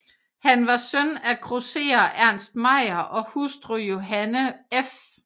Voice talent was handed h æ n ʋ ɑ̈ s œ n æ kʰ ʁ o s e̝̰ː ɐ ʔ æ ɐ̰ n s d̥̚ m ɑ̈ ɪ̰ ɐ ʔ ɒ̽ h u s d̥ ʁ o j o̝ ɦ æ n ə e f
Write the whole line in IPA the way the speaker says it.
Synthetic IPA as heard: h æ n ʋ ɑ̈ s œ n æ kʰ ʁ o s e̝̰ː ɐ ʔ æ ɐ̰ n s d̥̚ m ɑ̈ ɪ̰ ɐ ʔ ɒ̽ h u s d̥ ʁ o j o̝ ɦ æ n ə e f